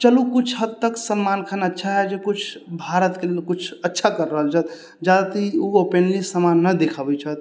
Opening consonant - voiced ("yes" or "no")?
no